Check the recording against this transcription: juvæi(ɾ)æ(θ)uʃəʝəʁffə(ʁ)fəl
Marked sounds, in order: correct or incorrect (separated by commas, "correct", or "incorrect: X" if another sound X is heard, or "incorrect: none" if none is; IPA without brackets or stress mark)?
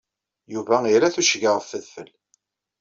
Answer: correct, correct, incorrect: ð